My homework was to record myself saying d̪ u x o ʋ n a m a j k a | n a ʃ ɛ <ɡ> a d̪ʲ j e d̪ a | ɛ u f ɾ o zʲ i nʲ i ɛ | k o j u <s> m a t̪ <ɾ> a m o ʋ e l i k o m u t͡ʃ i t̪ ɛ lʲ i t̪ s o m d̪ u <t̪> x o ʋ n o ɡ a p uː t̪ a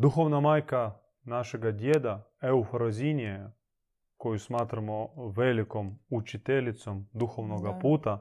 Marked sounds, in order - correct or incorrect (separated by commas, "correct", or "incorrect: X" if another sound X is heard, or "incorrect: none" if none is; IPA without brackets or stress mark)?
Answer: correct, correct, correct, incorrect: none